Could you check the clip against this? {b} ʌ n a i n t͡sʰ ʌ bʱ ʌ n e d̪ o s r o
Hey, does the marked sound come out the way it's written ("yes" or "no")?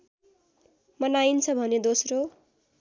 no